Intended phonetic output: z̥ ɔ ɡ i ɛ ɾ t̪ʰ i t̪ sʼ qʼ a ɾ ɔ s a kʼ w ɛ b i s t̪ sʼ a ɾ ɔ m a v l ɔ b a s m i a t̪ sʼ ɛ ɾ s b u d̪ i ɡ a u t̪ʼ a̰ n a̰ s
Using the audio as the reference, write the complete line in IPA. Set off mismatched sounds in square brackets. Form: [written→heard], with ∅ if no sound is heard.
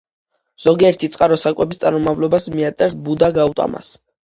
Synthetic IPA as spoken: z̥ ɔ ɡ i ɛ ɾ t̪ʰ i t̪ sʼ qʼ a ɾ ɔ s a kʼ w ɛ b i s t̪ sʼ a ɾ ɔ m a v l ɔ b a s m i a t̪ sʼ ɛ ɾ s b u d̪ [i→a] ɡ a u t̪ʼ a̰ [n→m] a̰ s